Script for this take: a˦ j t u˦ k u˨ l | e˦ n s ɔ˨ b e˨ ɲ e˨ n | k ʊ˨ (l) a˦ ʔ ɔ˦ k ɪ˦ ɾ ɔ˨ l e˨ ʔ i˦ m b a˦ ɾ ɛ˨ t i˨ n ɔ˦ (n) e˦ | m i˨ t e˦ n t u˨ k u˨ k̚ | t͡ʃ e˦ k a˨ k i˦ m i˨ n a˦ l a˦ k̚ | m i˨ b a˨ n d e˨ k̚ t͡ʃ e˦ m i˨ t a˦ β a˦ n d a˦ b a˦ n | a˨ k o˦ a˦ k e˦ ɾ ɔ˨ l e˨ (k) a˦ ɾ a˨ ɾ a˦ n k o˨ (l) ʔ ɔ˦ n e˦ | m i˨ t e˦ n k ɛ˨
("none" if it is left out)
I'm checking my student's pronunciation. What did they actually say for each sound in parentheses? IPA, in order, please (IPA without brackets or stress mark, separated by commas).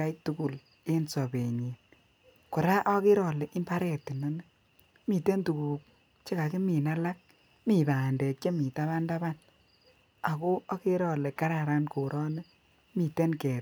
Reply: ɾ, n, k, ɾ